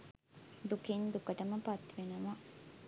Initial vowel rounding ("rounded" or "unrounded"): rounded